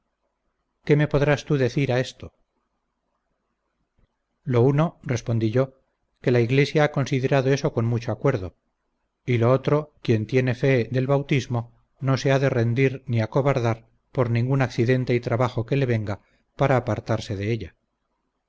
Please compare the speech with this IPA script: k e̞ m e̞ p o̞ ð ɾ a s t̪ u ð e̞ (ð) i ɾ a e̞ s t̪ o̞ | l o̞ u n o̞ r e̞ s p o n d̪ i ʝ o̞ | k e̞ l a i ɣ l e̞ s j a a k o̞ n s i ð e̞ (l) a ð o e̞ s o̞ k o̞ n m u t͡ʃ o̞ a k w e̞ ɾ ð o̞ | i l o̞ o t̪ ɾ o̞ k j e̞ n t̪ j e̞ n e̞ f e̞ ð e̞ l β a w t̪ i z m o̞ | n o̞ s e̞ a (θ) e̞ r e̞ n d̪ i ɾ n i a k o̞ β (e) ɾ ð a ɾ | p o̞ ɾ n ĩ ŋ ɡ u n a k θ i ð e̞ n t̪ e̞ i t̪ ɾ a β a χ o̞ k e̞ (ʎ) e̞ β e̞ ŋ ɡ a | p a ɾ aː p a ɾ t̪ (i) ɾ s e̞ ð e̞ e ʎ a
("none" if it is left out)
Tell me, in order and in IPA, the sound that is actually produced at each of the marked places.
θ, ɾ, ð, a, l, a

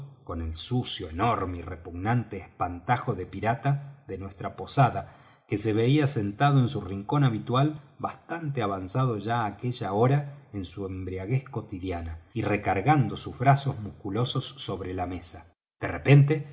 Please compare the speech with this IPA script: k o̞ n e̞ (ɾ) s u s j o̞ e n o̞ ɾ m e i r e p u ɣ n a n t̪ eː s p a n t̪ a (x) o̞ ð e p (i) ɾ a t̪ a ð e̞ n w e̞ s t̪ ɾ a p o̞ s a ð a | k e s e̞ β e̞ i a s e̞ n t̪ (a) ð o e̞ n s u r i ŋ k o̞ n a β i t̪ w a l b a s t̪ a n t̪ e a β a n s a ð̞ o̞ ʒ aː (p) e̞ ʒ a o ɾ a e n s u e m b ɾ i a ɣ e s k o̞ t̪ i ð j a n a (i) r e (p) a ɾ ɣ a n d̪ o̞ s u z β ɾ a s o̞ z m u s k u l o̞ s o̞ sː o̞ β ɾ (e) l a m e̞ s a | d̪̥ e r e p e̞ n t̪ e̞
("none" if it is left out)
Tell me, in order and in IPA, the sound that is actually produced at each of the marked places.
l, x, i, a, k, i, k, e

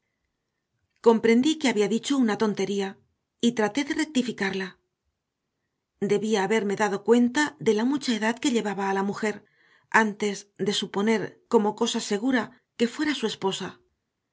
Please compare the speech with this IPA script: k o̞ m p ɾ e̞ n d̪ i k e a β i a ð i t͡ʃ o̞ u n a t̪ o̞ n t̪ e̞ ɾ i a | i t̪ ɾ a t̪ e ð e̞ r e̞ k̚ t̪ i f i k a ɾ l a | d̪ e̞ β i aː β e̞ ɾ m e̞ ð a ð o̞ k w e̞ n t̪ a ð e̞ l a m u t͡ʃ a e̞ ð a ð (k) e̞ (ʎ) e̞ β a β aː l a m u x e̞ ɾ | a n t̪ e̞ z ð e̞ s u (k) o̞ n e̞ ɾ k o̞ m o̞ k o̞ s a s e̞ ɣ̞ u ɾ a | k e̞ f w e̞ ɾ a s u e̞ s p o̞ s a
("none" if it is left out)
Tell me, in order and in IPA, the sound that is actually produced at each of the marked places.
k, ʎ, p

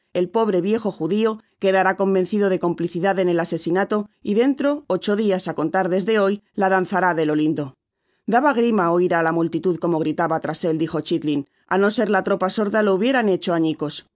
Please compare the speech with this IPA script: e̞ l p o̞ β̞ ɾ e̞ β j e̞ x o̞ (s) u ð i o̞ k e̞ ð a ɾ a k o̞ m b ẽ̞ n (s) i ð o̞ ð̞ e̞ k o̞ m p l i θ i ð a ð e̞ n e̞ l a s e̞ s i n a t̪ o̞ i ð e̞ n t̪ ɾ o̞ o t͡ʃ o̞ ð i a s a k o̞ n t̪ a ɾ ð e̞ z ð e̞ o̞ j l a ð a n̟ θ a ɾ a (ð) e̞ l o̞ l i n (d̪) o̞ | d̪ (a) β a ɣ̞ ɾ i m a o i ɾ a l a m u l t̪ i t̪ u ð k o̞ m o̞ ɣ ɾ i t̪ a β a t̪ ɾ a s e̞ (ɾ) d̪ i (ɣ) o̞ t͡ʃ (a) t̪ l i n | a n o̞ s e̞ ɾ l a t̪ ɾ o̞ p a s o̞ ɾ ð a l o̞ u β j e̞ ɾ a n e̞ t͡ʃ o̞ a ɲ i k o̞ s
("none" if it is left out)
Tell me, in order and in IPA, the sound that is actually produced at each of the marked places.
x, θ, ð, d̪, a, l, x, i

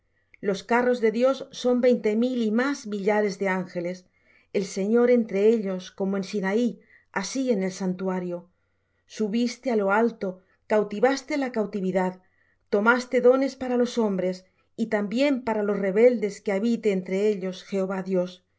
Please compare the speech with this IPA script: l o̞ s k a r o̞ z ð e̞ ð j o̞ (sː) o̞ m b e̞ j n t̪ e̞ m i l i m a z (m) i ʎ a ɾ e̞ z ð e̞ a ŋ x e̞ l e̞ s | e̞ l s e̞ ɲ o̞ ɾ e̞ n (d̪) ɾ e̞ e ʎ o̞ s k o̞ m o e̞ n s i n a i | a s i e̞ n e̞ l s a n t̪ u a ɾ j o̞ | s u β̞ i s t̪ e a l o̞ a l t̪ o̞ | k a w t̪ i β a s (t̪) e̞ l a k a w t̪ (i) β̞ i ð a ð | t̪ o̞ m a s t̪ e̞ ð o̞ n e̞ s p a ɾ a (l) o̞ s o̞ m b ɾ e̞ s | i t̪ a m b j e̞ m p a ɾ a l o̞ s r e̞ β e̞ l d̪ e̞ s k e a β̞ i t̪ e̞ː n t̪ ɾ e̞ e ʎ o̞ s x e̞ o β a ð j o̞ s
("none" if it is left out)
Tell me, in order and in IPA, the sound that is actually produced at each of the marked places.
sː, m, t̪, t̪, i, l

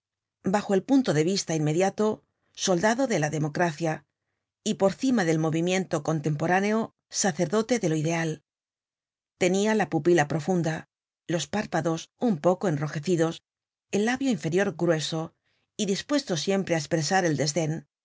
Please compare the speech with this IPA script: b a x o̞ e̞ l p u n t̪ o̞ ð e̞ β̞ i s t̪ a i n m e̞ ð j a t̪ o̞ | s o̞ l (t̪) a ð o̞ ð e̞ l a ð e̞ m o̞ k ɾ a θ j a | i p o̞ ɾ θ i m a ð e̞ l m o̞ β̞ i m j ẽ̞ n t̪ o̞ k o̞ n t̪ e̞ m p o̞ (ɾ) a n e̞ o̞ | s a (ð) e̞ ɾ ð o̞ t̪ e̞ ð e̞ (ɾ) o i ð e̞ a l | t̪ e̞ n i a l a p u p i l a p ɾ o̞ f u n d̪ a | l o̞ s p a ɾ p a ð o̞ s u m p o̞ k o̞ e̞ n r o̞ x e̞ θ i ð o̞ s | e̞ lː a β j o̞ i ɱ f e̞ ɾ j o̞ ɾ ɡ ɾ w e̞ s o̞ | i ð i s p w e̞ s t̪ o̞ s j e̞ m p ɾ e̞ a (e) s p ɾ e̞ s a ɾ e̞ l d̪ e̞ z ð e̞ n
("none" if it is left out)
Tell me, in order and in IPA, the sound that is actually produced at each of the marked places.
d̪, ɾ, θ, l, e

